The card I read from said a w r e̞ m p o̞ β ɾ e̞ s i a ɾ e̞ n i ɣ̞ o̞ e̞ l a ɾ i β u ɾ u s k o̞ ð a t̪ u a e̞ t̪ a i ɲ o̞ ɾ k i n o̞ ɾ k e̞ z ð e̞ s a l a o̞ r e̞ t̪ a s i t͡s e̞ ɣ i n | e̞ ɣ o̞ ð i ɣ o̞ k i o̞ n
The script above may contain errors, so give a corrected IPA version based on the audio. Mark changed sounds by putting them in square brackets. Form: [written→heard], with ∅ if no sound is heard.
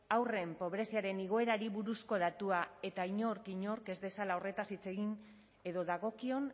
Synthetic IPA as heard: a w r e̞ m p o̞ β ɾ e̞ s i a ɾ e̞ n i ɣ̞ o̞ e̞ [l→ɾ] a ɾ i β u ɾ u s k o̞ ð a t̪ u a e̞ t̪ a i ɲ o̞ ɾ k i [n→ɲ] o̞ ɾ k e̞ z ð e̞ s a l a o̞ r e̞ t̪ a s i t͡s e̞ ɣ i n | e̞ [ɣ→ð] o̞ ð [i→a] ɣ o̞ k i o̞ n

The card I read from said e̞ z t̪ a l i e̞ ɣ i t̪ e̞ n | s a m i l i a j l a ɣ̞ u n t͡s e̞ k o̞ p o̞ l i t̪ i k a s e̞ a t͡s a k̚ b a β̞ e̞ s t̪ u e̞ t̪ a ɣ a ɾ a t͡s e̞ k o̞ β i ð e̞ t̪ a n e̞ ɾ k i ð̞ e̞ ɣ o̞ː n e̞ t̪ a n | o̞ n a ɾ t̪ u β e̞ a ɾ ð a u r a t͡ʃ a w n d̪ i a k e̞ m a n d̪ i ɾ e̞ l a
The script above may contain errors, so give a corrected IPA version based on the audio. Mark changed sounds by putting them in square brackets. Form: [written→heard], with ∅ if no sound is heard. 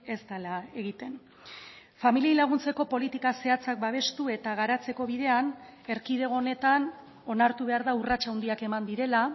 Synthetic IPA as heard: e̞ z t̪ a l [i→a] e̞ ɣ i t̪ e̞ n | [s→f] a m i l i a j l a ɣ̞ u n t͡s e̞ k o̞ p o̞ l i t̪ i k a s e̞ a t͡s a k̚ b a β̞ e̞ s t̪ u e̞ t̪ a ɣ a ɾ a t͡s e̞ k o̞ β i ð e̞ [t̪→∅] a n e̞ ɾ k i ð̞ e̞ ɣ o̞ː n e̞ t̪ a n | o̞ n a ɾ t̪ u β e̞ a ɾ ð a u r a t͡ʃ a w n d̪ i a k e̞ m a n d̪ i ɾ e̞ l a

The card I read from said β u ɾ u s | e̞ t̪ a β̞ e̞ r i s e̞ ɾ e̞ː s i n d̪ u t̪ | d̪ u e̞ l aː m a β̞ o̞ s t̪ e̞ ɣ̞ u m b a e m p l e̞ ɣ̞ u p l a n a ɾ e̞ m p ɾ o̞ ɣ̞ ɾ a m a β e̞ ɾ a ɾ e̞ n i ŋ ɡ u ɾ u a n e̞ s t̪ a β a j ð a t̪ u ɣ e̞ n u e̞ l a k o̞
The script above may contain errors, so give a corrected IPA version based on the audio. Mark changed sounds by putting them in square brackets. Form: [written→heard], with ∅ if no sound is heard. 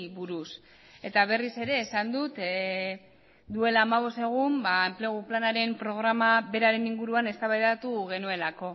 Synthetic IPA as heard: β u ɾ u s | e̞ t̪ a β̞ e̞ r i s e̞ ɾ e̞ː s [i→a] n d̪ u t̪ | d̪ u e̞ l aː m a β̞ o̞ s t̪ e̞ ɣ̞ u m b a e m p l e̞ ɣ̞ u p l a n a ɾ e̞ m p ɾ o̞ ɣ̞ ɾ a m a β e̞ ɾ a ɾ e̞ n i ŋ ɡ u ɾ u a n e̞ s t̪ a β a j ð a t̪ u ɣ e̞ n u e̞ l a k o̞

